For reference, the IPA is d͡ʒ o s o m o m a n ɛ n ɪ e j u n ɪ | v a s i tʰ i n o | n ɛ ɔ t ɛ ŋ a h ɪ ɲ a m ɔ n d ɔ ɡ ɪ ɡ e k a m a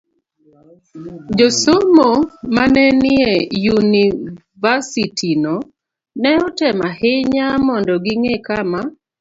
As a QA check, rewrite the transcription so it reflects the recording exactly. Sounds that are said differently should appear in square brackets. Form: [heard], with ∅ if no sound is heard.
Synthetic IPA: d͡ʒ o s o m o m a n ɛ n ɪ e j u n [i] | v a s i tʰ i n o | n ɛ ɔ t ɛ [m] a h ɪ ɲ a m ɔ n d ɔ ɡ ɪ [ŋ] e k a m a